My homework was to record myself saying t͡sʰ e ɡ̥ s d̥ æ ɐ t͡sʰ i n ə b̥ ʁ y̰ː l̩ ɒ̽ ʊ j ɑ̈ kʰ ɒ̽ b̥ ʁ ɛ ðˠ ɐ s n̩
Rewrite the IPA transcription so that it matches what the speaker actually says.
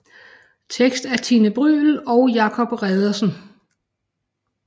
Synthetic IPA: t͡sʰ e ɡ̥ s d̥ æ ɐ t͡sʰ i n ə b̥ ʁ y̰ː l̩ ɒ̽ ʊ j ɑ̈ kʰ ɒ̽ b̥ ʁ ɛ ðˠ ɐ s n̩